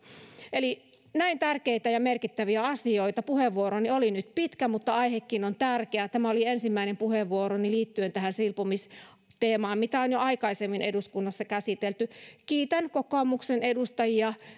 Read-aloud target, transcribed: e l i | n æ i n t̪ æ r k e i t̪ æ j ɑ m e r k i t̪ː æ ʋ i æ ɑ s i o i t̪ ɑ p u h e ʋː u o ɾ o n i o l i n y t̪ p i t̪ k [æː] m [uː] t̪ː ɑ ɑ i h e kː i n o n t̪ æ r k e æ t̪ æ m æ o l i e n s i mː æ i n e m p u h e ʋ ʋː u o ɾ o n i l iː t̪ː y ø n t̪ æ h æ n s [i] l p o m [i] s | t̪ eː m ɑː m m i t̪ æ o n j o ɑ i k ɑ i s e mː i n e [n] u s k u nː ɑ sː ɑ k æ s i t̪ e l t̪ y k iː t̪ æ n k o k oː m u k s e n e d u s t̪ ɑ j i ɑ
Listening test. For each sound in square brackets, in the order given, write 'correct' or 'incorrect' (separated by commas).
incorrect, incorrect, correct, correct, incorrect